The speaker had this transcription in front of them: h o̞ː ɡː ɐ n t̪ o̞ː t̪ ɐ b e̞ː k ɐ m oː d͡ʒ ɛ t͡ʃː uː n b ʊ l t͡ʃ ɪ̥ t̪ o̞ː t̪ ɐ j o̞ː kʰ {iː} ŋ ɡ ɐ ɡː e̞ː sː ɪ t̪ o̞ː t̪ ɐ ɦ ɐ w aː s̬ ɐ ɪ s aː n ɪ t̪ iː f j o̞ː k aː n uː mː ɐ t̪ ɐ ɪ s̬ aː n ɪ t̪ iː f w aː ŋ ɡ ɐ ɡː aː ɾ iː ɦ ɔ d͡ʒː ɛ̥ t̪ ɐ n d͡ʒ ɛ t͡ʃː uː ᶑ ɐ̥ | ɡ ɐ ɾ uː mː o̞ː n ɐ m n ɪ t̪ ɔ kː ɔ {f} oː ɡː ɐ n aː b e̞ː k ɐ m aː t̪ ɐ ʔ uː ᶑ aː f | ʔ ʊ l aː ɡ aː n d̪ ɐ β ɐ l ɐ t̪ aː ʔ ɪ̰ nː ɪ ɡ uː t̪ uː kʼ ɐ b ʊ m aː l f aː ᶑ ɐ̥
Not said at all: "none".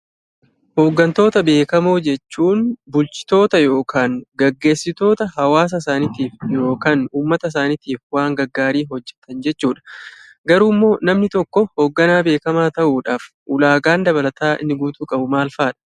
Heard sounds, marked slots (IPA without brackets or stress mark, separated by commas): aː, h